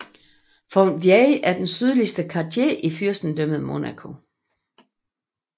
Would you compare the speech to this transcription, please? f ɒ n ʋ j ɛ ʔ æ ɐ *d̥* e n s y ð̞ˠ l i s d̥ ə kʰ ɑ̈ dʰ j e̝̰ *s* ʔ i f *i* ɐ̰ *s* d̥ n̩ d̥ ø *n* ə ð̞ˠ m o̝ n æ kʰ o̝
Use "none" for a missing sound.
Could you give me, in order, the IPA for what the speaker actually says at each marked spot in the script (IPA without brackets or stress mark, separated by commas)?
d̥, none, y, s, m